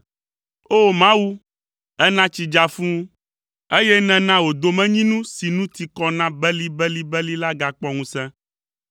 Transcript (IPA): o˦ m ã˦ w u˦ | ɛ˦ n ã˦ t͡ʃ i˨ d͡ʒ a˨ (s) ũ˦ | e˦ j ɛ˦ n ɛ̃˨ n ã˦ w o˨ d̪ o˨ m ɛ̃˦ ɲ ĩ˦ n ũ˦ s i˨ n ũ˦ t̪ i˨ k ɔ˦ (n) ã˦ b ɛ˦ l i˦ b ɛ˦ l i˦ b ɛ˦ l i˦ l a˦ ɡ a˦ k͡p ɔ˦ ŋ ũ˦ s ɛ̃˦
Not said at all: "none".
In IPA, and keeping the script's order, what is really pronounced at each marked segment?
f, n

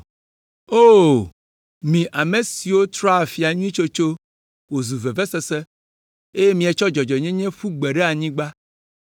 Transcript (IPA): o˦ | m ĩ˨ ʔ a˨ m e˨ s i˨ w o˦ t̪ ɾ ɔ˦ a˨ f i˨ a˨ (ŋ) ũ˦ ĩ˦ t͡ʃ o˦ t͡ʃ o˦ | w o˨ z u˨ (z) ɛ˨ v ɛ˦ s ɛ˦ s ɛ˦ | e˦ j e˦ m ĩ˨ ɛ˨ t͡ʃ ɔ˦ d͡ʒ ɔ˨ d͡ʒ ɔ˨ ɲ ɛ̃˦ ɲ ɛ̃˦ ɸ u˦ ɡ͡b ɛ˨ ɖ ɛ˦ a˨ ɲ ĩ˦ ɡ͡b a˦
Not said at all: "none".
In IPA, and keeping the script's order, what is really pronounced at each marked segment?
ɲ, v

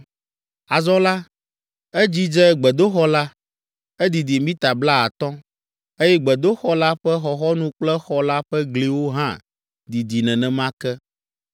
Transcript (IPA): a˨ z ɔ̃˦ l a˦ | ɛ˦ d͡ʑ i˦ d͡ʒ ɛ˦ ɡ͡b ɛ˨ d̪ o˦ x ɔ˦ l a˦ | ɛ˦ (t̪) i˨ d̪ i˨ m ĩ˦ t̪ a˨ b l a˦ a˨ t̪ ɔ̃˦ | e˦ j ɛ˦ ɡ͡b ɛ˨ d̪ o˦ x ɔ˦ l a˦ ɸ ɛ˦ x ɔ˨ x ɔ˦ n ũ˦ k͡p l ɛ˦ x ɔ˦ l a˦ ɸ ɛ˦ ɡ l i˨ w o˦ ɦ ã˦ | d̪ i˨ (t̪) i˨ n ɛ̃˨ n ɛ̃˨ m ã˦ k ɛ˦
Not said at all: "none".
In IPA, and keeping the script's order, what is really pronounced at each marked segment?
d̪, d̪

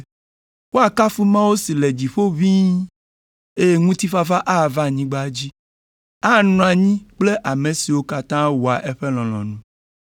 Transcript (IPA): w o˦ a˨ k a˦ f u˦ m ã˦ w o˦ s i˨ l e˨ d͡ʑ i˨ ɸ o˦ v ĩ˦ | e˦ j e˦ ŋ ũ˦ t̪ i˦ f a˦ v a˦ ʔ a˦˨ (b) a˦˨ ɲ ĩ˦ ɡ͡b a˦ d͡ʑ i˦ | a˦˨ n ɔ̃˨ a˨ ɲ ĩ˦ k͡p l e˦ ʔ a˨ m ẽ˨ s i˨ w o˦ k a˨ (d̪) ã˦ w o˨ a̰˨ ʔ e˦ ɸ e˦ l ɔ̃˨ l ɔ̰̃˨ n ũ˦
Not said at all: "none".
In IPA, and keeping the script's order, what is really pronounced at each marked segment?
v, t̪

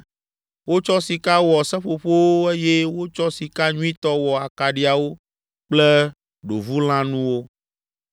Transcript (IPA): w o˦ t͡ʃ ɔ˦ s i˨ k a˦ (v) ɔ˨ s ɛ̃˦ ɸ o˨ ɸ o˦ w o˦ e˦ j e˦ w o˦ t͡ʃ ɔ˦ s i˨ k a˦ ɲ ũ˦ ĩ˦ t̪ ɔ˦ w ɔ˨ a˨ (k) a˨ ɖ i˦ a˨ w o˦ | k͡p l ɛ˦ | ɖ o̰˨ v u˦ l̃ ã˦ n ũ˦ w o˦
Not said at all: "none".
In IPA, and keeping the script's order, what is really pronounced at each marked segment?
w, k

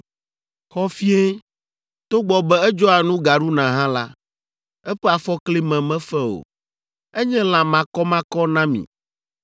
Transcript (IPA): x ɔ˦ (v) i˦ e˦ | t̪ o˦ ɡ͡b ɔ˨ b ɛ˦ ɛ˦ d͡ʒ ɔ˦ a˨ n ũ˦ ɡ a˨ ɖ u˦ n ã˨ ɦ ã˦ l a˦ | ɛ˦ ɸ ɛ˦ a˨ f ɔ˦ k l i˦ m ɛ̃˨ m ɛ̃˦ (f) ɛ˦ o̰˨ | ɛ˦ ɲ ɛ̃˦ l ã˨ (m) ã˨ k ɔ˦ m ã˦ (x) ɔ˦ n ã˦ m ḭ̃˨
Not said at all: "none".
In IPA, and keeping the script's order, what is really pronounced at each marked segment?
f, f, m, k

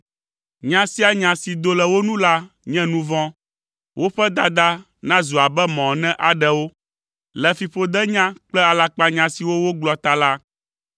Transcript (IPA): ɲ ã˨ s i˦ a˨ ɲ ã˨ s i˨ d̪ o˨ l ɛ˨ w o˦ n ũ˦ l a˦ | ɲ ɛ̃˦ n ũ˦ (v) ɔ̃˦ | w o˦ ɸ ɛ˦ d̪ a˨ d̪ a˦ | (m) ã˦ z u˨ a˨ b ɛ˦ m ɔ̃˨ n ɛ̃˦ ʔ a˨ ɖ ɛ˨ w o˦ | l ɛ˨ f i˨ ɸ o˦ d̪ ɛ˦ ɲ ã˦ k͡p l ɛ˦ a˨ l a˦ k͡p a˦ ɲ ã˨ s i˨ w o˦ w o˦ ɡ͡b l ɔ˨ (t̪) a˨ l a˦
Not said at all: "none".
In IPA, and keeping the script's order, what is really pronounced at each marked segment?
v, n, t̪

